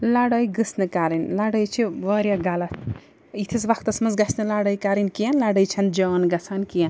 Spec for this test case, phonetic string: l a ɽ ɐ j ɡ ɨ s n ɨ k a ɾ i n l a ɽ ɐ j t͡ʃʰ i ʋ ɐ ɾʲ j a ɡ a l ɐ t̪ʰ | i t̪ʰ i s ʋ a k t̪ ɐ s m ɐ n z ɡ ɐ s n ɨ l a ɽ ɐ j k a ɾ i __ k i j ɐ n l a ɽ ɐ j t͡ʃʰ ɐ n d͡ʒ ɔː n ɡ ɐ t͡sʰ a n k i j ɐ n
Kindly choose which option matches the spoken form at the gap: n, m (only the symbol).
n